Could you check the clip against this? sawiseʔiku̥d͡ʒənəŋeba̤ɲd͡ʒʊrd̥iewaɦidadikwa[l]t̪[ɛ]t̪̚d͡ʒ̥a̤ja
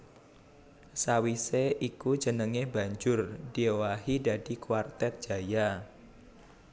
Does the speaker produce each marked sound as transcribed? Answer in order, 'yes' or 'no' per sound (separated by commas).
no, yes